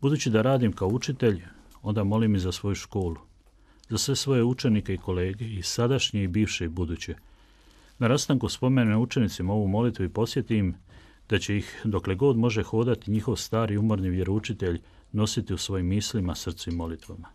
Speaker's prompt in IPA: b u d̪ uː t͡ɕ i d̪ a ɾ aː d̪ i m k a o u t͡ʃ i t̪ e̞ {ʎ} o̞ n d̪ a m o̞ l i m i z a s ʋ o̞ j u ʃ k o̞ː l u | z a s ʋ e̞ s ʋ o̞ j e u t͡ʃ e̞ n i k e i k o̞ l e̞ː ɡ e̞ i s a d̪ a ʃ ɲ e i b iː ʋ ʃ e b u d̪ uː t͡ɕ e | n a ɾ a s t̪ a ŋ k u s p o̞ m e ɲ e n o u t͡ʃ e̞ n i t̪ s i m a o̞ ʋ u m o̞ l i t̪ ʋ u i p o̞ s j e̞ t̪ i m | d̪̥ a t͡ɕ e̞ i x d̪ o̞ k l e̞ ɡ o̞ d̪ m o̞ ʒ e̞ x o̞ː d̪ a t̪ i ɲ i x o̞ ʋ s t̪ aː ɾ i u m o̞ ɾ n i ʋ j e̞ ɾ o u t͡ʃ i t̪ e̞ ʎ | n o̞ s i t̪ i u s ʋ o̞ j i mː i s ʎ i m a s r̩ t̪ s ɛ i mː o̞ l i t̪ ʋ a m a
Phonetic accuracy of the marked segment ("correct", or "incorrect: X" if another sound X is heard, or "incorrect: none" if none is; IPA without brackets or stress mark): correct